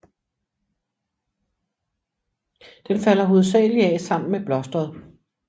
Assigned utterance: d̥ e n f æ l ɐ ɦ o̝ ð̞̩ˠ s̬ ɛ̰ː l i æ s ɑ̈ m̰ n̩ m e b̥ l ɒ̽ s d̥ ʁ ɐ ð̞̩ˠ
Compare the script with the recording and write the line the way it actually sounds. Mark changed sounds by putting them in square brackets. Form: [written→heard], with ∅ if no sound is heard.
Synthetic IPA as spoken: d̥ e n f æ l ɐ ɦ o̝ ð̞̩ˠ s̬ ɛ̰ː l i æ s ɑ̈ m̰ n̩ m e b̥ l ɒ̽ s d̥ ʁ ɐ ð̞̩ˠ